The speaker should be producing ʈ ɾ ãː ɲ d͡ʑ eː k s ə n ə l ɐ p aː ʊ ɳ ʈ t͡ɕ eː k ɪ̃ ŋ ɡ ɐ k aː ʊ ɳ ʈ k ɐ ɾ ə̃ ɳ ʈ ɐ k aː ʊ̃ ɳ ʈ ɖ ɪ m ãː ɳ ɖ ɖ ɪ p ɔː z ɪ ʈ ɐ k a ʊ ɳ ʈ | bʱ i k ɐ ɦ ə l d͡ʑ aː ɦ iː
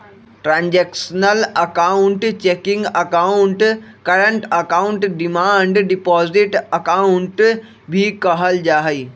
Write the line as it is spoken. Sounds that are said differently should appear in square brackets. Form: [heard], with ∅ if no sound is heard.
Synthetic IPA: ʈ ɾ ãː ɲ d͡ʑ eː k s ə n ə l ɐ [k] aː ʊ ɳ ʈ t͡ɕ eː k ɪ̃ ŋ ɡ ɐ k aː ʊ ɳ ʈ k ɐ ɾ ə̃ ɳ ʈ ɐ k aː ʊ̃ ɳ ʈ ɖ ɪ m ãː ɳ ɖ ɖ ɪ p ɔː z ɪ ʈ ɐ k a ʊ ɳ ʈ | bʱ i k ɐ ɦ ə l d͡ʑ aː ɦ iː